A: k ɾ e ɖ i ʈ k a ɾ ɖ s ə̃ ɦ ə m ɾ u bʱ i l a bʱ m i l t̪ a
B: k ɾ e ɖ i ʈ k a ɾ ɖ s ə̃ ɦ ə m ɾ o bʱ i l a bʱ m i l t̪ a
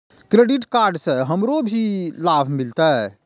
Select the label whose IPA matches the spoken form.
B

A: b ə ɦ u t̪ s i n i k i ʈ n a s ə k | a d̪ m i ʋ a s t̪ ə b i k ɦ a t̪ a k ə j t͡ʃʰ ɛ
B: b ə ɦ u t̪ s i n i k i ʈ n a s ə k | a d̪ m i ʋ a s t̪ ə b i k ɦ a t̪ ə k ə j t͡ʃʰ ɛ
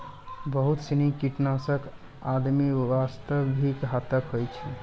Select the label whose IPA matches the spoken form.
B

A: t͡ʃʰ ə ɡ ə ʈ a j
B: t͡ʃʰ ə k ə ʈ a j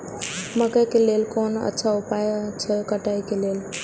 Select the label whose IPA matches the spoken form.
B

